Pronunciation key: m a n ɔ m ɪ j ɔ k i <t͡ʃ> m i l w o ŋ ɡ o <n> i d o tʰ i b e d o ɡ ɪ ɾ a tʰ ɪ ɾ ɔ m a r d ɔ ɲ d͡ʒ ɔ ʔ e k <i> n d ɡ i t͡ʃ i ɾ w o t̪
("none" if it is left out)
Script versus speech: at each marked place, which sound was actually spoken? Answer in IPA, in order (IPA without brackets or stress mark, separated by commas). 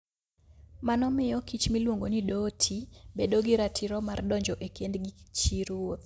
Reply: t͡ʃ, n, e